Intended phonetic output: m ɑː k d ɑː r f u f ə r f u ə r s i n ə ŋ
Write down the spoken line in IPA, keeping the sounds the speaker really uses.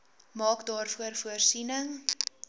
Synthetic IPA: m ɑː k d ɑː r f u ə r f u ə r s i n ə ŋ